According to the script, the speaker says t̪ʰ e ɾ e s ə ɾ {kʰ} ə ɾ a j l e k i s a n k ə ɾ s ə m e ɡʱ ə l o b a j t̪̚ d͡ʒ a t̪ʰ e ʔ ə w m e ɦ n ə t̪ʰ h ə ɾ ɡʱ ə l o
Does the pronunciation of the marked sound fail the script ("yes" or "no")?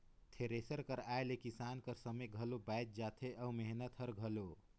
yes